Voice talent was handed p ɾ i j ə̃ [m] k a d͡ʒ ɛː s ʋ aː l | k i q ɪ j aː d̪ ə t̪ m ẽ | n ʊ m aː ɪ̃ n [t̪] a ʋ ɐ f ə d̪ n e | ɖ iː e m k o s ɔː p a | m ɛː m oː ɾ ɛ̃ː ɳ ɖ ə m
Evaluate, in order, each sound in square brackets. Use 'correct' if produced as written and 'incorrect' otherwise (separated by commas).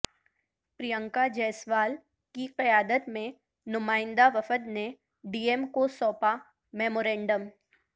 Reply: incorrect, incorrect